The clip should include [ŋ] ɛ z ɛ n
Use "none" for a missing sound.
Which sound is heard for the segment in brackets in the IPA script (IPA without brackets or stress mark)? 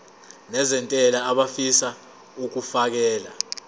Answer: n